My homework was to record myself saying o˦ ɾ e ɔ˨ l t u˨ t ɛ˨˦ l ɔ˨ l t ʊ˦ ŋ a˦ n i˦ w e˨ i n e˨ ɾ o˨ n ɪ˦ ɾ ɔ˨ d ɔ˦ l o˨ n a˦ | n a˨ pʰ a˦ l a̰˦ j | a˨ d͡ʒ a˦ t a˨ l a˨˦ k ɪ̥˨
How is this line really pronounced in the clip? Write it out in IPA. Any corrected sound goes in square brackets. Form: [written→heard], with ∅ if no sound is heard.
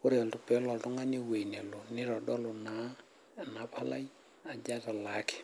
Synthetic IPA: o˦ ɾ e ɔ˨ l t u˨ [t→p] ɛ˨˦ l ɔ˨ l t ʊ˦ ŋ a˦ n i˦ w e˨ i n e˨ [ɾ→l] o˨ n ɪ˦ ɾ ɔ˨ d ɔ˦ l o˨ n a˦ | n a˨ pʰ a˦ l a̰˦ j | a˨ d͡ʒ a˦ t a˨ l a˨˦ k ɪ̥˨